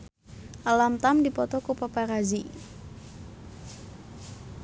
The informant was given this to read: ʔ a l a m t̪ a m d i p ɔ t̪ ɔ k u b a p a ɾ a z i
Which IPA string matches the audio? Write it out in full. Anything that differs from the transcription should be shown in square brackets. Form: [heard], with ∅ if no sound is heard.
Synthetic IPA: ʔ a l a m t̪ a m d i p ɔ t̪ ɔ k u [p] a p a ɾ a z i